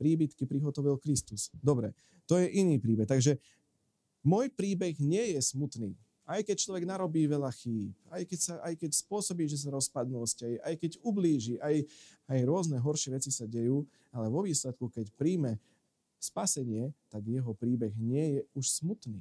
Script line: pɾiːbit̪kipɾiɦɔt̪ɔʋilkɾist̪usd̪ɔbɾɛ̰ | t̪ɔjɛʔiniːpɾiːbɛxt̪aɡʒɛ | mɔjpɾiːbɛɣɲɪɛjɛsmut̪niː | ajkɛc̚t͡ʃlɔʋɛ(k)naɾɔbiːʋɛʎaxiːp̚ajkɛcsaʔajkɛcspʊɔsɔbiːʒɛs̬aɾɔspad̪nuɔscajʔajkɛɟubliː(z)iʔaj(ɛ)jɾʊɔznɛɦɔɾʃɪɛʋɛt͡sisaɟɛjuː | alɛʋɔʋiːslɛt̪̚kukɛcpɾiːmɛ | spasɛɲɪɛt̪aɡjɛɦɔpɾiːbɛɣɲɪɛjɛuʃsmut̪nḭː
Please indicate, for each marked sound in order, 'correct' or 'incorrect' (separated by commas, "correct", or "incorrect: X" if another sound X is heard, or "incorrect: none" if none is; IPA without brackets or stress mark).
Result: incorrect: ɡ, incorrect: ʒ, incorrect: a